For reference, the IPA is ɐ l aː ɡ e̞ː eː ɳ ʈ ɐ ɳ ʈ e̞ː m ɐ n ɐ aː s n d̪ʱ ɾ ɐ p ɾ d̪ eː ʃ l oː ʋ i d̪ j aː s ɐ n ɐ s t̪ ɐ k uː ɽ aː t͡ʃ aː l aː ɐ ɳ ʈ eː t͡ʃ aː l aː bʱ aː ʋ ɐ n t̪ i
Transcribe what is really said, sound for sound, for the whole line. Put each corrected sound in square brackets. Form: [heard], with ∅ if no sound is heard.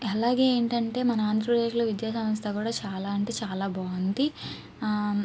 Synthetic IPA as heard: ɐ l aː ɡ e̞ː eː ɳ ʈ ɐ ɳ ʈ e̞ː m ɐ n ɐ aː [∅] n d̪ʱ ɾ ɐ p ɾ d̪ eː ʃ l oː ʋ i d̪ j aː s ɐ [m] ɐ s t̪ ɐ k uː ɽ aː t͡ʃ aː l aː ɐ ɳ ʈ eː t͡ʃ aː l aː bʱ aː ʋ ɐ n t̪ i